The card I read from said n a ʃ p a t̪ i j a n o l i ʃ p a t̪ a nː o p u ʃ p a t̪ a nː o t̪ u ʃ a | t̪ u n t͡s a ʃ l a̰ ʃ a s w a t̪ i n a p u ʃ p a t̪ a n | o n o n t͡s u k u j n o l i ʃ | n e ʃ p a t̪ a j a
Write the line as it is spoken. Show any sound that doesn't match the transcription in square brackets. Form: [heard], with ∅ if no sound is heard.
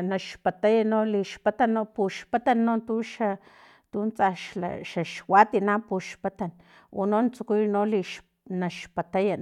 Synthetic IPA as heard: n a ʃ p a t̪ [a] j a n o l i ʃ p a t̪ a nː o p u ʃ p a t̪ a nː o t̪ u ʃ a | t̪ u n t͡s a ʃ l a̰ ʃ a [ʃ] w a t̪ i n a p u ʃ p a t̪ a n | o n o n t͡s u k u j n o l i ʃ | n [a] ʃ p a t̪ a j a